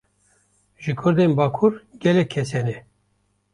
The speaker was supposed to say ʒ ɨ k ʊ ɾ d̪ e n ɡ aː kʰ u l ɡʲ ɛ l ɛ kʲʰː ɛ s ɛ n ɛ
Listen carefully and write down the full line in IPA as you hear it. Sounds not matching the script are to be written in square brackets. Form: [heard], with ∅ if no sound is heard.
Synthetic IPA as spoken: ʒ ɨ [kʰ] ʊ ɾ d̪ e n [b] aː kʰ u [ɾ] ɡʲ ɛ l ɛ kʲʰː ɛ s ɛ n ɛ